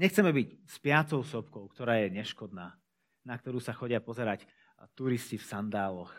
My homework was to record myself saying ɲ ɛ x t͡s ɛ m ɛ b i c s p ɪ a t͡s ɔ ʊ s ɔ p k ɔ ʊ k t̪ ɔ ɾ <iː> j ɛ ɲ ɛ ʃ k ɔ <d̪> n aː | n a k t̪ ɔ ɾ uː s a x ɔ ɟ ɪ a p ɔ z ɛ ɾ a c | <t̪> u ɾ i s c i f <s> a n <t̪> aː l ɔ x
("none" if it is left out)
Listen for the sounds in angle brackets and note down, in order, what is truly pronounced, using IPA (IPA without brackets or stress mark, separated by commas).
aː, d̪, t̪, s, d̪